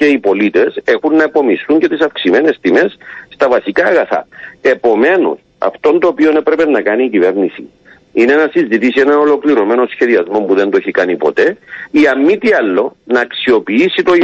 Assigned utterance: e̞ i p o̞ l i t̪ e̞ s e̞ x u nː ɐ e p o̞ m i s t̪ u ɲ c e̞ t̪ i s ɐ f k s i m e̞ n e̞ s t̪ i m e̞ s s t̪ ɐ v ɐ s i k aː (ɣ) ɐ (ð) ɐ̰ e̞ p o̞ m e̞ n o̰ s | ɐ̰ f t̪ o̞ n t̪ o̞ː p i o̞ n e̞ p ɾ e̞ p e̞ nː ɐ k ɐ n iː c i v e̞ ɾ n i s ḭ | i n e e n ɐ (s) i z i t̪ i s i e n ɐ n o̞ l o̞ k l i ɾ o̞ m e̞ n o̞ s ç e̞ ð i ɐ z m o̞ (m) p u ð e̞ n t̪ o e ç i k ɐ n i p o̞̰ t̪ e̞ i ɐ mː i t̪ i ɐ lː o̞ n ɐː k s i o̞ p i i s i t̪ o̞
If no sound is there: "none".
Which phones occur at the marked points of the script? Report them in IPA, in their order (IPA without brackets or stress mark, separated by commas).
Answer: ɣ, θ, s, m